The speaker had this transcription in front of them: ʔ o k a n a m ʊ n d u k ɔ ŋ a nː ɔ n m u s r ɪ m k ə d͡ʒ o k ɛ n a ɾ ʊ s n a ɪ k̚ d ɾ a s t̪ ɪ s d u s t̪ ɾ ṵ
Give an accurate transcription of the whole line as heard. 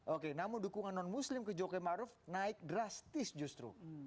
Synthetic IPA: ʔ o k e n a m ʊ n d u k u ŋ a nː ɔ n m u s l ɪ m k ə d͡ʒ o k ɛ m a ɾ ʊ f n a ɪ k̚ d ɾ a s t̪ ɪ s d͡ʒ u s t̪ ɾ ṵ